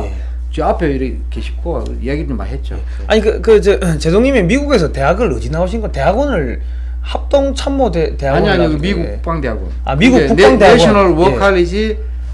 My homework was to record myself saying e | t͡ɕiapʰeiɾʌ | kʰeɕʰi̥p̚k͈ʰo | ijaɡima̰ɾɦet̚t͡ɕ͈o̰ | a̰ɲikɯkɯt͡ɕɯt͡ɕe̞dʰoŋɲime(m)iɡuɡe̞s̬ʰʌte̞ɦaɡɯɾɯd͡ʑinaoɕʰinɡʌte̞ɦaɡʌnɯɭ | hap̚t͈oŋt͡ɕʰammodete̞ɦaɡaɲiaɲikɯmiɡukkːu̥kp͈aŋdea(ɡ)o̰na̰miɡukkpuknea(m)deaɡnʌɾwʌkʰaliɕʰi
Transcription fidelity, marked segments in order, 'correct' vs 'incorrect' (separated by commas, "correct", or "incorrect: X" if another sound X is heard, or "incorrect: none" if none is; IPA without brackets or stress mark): correct, correct, incorrect: ŋ